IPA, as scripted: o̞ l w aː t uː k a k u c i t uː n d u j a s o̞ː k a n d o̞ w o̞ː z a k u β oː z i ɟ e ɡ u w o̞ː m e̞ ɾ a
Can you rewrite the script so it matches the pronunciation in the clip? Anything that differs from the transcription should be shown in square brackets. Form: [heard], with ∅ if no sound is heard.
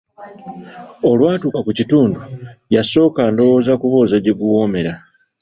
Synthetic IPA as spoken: o̞ l w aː t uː k a k u c i t uː n d u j a s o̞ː k a n d o̞ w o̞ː z a k u β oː z [a] ɟ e ɡ u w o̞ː m e̞ ɾ a